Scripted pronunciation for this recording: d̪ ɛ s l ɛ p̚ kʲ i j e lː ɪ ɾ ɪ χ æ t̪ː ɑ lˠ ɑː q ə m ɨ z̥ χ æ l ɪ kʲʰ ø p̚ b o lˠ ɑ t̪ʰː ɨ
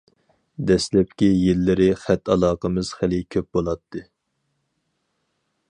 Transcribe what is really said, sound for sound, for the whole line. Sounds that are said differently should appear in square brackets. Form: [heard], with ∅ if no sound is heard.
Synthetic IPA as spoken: d̪ ɛ s l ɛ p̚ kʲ i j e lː ɪ ɾ ɪ χ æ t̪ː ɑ lˠ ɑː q ə m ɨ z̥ χ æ l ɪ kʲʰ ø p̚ b o lˠ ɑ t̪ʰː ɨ